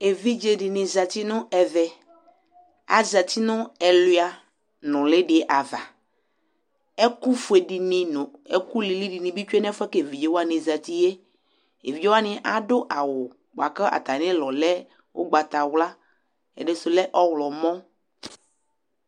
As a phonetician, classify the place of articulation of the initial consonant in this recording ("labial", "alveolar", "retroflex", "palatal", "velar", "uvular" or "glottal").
labial